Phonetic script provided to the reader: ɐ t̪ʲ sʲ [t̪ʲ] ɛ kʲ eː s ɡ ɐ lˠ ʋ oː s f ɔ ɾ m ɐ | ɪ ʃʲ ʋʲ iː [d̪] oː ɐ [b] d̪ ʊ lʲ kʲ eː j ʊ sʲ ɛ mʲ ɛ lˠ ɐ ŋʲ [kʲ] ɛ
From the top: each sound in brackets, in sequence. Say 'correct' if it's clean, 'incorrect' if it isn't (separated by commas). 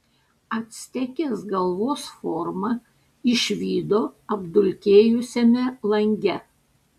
correct, correct, correct, incorrect